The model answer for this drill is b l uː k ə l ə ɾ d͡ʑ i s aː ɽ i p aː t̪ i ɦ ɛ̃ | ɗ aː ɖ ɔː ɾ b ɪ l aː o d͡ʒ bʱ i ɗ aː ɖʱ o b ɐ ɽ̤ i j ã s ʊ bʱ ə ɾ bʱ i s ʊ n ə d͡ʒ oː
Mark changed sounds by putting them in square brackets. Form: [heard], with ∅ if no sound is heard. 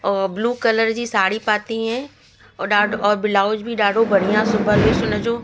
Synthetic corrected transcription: b l uː k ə l ə ɾ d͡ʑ i s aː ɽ i p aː t̪ i ɦ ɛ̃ | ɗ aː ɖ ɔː ɾ b ɪ l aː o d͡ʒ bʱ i ɗ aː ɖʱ o b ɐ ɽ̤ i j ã s ʊ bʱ ə ɾ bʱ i s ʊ n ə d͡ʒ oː